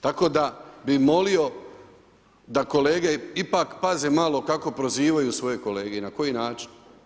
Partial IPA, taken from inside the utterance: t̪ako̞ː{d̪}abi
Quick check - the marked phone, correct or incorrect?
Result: correct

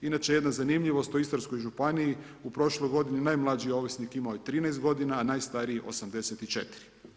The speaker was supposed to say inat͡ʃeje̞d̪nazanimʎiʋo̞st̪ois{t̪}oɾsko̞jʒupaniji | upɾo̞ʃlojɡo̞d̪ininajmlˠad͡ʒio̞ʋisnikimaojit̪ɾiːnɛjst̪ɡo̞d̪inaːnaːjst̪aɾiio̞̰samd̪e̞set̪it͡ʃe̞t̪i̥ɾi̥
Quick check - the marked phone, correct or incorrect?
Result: correct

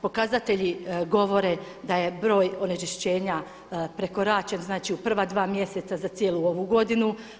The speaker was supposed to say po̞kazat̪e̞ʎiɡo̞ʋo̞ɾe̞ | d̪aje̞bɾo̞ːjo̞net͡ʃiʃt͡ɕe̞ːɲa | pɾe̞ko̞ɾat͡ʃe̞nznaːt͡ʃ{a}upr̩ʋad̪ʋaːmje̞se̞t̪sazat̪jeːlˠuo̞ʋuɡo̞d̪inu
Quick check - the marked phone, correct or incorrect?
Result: incorrect: i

